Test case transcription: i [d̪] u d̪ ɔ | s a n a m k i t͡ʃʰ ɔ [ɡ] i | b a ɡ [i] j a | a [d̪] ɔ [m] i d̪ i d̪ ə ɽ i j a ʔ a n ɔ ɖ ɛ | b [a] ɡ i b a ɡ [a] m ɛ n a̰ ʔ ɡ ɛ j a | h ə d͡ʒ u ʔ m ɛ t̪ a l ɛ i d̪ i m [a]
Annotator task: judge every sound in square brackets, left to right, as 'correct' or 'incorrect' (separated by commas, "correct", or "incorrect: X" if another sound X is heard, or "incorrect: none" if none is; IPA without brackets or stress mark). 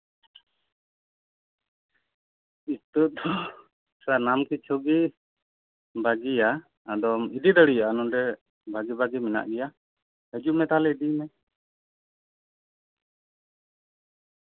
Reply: incorrect: t̪, correct, correct, correct, correct, correct, incorrect: i, incorrect: ɛ